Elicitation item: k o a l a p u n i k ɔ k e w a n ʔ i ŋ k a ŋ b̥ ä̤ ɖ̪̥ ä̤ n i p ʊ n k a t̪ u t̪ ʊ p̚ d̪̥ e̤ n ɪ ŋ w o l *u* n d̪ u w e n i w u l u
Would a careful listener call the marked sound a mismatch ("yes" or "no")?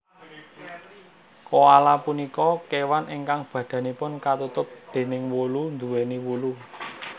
no